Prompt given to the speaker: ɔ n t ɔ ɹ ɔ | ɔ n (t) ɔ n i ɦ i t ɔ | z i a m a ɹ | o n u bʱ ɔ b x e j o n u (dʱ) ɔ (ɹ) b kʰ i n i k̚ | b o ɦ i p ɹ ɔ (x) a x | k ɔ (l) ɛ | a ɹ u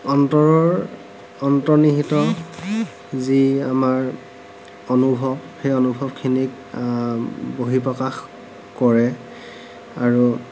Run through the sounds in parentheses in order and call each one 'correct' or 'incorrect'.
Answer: correct, incorrect: bʱ, incorrect: none, incorrect: k, incorrect: ɹ

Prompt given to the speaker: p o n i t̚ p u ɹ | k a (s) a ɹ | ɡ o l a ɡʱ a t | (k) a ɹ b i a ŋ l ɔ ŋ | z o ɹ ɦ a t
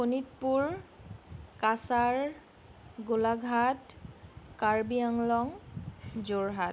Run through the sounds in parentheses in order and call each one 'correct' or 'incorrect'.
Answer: correct, correct

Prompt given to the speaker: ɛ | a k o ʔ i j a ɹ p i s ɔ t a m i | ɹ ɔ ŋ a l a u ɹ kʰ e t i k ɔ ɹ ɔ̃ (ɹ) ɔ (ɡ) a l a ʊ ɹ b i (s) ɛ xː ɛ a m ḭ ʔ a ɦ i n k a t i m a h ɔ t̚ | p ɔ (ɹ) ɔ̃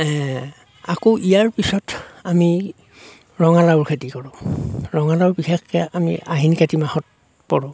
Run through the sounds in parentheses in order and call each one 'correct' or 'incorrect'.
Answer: correct, incorrect: ŋ, incorrect: x, correct

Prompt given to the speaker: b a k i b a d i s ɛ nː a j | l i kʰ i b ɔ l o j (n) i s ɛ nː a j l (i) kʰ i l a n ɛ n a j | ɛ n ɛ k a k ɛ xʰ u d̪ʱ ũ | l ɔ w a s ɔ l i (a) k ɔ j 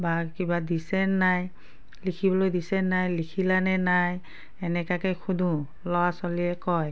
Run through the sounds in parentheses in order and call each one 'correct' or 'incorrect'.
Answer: incorrect: d, correct, incorrect: ɛ

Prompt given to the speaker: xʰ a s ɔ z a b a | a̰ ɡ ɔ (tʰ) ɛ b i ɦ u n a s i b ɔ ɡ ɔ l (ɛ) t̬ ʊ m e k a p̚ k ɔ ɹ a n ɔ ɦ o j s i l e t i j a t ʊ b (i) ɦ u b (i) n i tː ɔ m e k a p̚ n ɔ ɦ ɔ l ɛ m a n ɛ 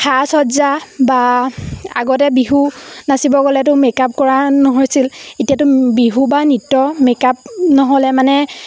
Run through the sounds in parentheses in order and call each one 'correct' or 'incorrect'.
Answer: incorrect: t, correct, correct, incorrect: a

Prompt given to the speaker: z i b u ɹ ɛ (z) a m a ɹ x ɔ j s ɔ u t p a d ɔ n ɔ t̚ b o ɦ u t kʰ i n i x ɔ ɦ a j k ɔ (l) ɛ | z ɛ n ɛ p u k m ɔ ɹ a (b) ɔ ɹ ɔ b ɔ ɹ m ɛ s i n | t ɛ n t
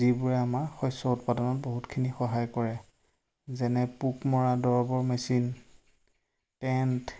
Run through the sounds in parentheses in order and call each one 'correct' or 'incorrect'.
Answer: incorrect: none, incorrect: ɹ, incorrect: d

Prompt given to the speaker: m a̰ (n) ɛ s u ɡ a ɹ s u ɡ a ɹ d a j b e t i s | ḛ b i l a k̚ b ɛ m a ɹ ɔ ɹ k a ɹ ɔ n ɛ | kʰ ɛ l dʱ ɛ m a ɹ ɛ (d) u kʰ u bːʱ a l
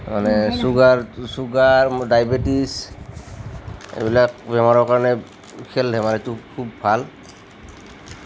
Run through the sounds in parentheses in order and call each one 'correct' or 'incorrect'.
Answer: correct, incorrect: t

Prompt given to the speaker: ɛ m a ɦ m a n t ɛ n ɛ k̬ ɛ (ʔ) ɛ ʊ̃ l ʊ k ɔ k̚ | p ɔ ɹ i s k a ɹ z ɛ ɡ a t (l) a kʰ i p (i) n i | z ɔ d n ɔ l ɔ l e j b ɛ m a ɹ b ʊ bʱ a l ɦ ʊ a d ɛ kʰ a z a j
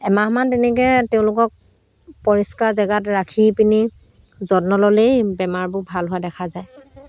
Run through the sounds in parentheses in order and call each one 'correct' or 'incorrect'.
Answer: incorrect: t, incorrect: ɹ, correct

